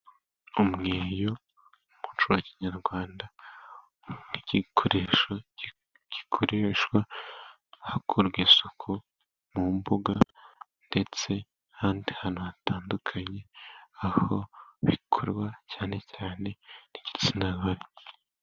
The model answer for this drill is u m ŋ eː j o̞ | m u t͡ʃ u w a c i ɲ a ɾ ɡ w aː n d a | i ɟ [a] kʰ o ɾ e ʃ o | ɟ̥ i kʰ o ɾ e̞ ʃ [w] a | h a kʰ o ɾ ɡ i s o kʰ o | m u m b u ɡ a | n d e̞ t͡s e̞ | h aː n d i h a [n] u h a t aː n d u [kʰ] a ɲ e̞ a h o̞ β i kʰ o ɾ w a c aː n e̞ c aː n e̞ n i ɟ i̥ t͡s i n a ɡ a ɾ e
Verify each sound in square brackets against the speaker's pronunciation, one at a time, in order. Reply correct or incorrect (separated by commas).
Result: incorrect, correct, correct, correct